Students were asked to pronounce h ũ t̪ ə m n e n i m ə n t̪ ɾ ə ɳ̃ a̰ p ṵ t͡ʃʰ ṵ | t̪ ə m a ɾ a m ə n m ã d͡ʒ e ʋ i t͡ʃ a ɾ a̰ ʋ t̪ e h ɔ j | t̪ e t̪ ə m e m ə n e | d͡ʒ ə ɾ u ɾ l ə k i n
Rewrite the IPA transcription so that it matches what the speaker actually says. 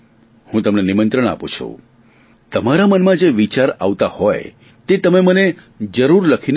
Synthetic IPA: h ũ t̪ ə m n e n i m ə n t̪ ɾ ə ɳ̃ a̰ p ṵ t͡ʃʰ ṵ | t̪ ə m a ɾ a m ə n m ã d͡ʒ e ʋ i t͡ʃ a ɾ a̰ ʋ t̪ a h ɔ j | t̪ e t̪ ə m e m ə n e | d͡ʒ ə ɾ u ɾ l ə kʰ i n